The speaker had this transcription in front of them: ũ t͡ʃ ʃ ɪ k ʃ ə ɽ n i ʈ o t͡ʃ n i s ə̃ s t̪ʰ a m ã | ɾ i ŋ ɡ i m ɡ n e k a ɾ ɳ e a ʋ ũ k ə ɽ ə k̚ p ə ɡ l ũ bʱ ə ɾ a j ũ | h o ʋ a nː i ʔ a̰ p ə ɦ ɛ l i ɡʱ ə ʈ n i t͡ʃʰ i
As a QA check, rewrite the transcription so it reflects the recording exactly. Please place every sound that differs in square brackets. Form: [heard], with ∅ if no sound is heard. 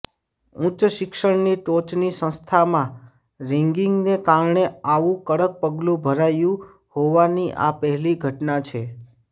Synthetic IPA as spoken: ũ t͡ʃ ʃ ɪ k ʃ ə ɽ n i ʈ o t͡ʃ n i s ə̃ s t̪ʰ a m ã | ɾ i ŋ ɡ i [ŋ] ɡ n e k a ɾ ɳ e a ʋ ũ k ə ɽ ə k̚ p ə ɡ l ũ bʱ ə ɾ a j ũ | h o ʋ a [n] i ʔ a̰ p ə ɦ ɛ l i ɡʱ ə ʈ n [a] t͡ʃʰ [e]